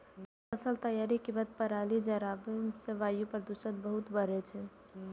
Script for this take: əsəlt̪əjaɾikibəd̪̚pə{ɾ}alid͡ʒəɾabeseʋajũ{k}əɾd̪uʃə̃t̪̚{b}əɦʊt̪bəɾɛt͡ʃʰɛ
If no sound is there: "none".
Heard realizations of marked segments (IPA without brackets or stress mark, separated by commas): ɾ, p, b